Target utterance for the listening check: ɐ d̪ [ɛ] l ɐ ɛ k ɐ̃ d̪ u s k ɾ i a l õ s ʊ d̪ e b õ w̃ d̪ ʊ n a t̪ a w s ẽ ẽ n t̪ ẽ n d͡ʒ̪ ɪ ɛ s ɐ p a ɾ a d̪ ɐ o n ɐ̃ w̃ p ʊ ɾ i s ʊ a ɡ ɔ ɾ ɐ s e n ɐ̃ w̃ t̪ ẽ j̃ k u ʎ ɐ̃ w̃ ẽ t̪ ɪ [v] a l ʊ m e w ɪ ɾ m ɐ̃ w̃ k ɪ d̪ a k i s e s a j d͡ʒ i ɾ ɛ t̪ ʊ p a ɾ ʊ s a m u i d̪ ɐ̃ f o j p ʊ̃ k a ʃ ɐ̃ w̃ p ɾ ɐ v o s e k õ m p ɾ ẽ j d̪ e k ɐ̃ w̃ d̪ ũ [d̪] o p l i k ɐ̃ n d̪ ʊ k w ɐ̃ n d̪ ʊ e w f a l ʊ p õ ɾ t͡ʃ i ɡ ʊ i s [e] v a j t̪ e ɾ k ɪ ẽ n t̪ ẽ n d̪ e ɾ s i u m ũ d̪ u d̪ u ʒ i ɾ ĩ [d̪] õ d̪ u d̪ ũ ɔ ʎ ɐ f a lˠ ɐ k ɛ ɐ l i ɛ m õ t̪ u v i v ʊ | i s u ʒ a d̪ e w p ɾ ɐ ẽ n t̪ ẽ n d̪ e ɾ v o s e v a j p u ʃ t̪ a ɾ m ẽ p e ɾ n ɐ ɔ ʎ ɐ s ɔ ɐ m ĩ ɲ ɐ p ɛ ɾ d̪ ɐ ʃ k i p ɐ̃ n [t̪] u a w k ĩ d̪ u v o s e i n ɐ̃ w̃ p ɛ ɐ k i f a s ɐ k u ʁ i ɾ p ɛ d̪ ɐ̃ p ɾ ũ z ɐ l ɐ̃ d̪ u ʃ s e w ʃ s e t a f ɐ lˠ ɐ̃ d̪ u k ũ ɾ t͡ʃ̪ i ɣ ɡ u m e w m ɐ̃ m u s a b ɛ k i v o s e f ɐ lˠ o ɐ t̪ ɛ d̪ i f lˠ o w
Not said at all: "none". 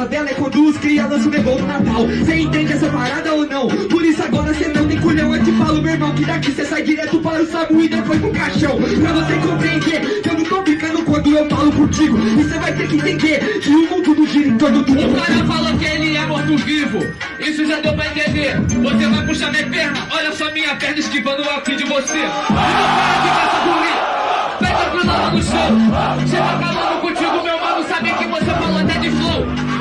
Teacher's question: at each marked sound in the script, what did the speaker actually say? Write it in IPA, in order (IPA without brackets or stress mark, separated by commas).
ɛ, f, t̪, e, t̪, d̪